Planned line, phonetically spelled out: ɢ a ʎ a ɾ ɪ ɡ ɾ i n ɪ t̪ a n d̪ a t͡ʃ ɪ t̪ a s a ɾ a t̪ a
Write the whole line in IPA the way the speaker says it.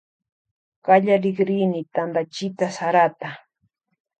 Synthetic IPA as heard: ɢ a ʎ a ɾ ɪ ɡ ɾ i n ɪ t̪ a n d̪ a t͡ʃ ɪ t̪ a s a ɾ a t̪ a